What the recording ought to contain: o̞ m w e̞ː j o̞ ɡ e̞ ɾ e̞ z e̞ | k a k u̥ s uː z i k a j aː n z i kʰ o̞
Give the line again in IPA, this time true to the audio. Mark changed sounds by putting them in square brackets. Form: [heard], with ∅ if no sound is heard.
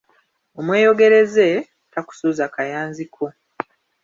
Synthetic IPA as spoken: o̞ m w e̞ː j o̞ ɡ e̞ ɾ e̞ z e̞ | [t] a k u̥ s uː z [a] k a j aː n z i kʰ o̞